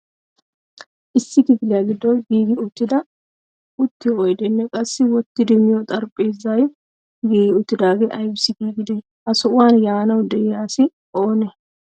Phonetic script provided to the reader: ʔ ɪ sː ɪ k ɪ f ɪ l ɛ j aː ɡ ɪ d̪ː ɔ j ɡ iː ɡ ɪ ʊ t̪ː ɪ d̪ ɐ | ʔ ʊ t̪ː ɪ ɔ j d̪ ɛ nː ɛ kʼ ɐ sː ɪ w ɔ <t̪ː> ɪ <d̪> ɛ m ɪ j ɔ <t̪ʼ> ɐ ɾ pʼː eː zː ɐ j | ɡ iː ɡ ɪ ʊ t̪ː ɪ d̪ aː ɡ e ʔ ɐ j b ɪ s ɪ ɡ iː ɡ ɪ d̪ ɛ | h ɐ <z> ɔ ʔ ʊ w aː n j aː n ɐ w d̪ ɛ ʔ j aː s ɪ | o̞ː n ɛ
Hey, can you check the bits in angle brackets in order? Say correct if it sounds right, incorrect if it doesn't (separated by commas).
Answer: correct, correct, correct, incorrect